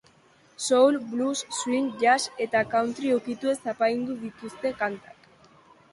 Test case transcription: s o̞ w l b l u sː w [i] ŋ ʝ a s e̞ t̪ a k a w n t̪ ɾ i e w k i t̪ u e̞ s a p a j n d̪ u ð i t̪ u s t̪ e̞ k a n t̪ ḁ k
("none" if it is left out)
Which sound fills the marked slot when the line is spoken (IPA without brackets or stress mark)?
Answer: i